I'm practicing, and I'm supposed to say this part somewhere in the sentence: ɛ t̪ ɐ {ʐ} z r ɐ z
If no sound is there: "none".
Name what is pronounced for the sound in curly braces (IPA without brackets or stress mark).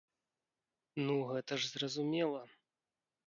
ʐ